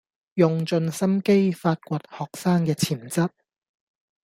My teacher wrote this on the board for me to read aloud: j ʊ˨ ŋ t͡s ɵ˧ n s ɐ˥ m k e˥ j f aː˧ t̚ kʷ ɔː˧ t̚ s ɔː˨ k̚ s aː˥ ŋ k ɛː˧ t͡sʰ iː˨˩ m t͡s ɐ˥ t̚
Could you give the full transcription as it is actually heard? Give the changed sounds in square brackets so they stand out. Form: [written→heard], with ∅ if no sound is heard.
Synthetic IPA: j ʊ˨ ŋ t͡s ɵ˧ n s ɐ˥ m k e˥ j f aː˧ t̚ kʷ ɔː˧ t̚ [s→h] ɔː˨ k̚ s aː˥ ŋ k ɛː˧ t͡sʰ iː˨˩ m t͡s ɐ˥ t̚